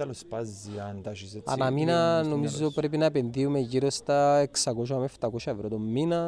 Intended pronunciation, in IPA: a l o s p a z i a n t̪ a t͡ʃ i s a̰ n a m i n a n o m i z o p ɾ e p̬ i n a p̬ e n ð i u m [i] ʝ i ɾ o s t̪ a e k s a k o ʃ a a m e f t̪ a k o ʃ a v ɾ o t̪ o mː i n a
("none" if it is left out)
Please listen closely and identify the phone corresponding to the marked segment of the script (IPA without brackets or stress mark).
e